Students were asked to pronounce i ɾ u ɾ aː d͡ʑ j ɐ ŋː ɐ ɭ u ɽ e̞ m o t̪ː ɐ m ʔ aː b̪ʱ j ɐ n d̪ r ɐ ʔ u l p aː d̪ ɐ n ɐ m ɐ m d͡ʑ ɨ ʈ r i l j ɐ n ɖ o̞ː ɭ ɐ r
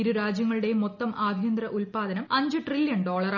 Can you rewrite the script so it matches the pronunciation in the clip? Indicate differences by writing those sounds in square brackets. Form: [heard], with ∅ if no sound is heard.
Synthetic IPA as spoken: i ɾ u ɾ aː d͡ʑ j ɐ ŋː ɐ ɭ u ɽ e̞ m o t̪ː ɐ m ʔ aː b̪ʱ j ɐ n d̪ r ɐ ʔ u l p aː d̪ ɐ n ɐ m ɐ [ɲ] d͡ʑ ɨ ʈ r i l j ɐ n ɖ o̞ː ɭ ɐ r